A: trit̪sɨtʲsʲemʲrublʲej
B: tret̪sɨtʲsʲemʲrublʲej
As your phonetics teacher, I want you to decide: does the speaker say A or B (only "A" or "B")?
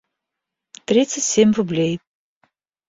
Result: A